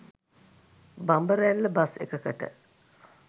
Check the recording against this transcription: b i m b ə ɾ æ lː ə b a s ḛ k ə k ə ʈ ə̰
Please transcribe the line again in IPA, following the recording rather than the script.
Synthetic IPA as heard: b a m b ə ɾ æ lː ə b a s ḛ k ə k ə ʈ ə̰